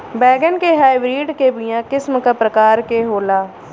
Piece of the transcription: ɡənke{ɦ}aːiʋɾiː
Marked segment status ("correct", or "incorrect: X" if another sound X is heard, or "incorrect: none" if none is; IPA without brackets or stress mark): correct